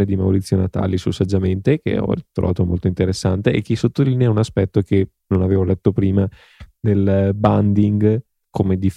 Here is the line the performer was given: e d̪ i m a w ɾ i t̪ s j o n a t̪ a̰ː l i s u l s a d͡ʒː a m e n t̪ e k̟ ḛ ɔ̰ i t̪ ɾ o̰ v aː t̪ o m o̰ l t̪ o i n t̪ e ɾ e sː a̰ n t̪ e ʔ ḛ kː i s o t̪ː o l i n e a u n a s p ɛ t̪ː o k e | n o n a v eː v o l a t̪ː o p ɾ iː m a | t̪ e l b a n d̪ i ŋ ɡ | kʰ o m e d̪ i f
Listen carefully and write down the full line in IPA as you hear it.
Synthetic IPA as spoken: e d̪ i m a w ɾ i t̪ sː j o n a t̪ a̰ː l i s u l s a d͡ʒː a m e n t̪ e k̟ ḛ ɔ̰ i t̪ ɾ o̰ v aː t̪ o m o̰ l t̪ o i n t̪ e ɾ e sː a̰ n t̪ e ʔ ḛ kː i s o t̪ː o l i n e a u n a s p ɛ t̪ː o k e | n o n a v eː v o l ɛ t̪ː o p ɾ iː m a | d̪ e l b a n d̪ i ŋ ɡ | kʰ o m e d̪ i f